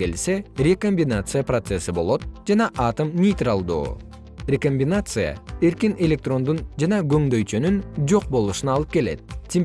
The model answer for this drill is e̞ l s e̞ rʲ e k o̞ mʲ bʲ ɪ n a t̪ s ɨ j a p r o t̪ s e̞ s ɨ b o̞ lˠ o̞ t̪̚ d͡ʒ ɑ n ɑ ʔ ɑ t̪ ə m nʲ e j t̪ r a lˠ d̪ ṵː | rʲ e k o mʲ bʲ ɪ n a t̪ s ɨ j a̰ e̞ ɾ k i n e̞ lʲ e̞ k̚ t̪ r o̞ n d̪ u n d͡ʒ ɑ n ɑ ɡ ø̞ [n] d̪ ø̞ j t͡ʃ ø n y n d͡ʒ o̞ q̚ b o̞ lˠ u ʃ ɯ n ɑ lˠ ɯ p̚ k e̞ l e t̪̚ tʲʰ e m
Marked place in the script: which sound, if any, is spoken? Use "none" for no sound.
ŋ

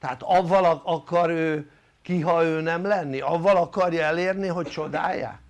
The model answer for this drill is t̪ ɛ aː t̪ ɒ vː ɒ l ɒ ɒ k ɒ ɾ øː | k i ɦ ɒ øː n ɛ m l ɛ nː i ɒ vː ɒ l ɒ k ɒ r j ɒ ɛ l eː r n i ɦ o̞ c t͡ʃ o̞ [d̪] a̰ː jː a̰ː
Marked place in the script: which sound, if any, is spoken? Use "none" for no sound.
d̪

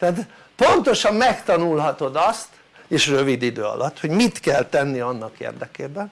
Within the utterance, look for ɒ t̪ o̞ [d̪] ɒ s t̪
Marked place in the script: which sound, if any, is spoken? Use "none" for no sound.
d̪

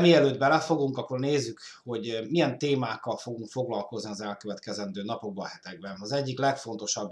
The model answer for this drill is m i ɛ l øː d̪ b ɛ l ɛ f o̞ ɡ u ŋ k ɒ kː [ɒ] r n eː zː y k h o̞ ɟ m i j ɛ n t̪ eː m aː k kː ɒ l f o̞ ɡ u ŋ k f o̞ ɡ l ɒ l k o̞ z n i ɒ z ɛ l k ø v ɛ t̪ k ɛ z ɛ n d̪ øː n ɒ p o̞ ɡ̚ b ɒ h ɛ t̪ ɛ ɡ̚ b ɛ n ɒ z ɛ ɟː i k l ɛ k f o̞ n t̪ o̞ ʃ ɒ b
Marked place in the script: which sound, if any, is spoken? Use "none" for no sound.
o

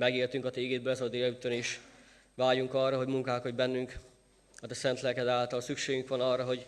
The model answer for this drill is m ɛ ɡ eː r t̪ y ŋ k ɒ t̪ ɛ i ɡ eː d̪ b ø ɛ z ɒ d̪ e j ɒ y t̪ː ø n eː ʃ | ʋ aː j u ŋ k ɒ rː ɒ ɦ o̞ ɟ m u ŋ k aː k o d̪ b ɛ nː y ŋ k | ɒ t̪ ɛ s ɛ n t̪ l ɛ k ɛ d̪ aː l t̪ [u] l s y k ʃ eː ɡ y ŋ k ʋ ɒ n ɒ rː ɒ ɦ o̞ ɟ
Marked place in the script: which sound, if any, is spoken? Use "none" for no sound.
ɒ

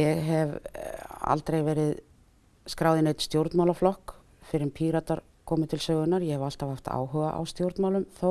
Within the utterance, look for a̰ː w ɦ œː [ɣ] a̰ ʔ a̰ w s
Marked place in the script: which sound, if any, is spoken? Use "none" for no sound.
ɣ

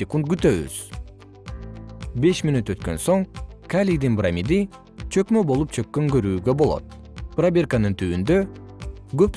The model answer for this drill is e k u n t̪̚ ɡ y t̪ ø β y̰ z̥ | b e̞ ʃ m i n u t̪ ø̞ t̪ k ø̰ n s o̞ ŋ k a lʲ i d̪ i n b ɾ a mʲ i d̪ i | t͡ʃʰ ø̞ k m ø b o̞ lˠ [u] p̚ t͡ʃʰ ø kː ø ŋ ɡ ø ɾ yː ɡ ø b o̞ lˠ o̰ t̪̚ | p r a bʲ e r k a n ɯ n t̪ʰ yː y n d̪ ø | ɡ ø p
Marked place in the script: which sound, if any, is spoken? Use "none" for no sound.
u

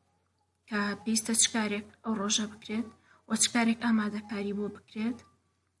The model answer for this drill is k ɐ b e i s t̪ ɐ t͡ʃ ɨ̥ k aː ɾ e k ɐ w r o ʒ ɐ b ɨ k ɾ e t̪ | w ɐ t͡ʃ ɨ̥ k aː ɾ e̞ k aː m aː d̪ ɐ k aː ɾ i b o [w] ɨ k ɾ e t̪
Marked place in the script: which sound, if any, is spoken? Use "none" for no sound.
b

